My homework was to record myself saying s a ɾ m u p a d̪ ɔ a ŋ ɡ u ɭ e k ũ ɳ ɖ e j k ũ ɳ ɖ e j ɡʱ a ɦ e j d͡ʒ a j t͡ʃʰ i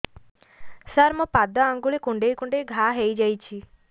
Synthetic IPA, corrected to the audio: s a ɾ m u p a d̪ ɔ a ŋ ɡ u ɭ e k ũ ɳ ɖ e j k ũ ɳ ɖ e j ɡʱ a ɦ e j d͡ʒ a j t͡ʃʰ i